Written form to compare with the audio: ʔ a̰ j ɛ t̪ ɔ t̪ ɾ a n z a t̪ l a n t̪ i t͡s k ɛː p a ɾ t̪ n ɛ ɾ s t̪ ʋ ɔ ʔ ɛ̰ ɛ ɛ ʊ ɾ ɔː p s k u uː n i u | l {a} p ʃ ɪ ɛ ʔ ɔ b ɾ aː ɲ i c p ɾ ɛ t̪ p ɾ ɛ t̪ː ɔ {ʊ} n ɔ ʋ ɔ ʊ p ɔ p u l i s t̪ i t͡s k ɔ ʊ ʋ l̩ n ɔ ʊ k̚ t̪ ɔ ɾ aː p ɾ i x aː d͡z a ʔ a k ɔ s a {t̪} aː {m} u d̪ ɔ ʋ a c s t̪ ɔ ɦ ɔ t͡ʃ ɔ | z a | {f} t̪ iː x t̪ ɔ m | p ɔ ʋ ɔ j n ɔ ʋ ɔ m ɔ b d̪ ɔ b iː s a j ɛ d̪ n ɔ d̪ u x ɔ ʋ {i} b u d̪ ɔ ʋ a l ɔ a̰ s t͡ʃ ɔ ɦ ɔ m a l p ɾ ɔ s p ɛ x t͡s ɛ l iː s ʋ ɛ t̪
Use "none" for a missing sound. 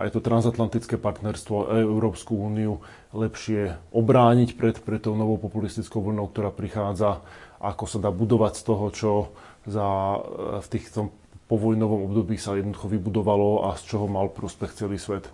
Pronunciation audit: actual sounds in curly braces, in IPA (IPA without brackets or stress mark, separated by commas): ɛ, ʊ, d̪, b, f, i